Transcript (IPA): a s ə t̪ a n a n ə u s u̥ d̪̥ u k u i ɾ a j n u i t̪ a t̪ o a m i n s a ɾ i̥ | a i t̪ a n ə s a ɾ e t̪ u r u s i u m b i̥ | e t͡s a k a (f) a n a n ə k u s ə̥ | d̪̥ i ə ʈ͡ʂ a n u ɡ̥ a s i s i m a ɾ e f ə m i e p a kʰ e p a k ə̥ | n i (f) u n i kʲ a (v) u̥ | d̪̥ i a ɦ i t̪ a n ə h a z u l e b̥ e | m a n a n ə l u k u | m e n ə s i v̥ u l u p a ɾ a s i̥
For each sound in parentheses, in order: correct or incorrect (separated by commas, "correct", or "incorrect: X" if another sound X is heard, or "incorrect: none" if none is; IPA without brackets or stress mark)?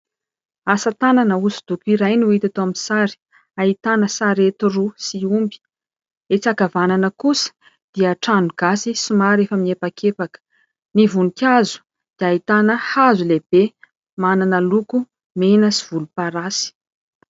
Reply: incorrect: v, incorrect: v, incorrect: z